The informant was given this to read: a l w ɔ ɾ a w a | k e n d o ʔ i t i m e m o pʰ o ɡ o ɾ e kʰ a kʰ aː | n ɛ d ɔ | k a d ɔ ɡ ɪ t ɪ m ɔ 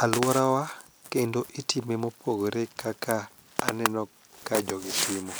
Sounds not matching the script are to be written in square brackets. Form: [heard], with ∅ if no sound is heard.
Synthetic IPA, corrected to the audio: a l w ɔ ɾ a w a | k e n d o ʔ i t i m e m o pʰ o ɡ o ɾ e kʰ a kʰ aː | n ɛ [n] ɔ | k a [d͡ʒ] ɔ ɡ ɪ t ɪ m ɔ